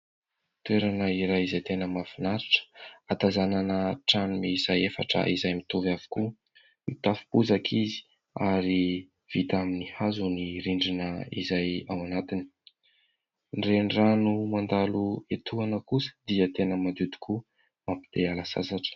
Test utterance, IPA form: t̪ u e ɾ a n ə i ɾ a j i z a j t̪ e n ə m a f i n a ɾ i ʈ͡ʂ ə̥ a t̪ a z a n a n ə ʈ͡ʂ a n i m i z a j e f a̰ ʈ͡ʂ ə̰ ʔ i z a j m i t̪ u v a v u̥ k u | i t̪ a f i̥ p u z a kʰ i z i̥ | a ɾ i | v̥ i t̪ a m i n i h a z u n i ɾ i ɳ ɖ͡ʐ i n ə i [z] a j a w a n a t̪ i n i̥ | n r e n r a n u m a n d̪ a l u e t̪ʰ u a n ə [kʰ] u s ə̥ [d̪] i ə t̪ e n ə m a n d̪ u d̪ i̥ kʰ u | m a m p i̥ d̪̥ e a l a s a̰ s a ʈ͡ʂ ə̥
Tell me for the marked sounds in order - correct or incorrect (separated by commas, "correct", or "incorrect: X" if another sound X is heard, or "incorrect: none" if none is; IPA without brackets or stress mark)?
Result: correct, incorrect: k, correct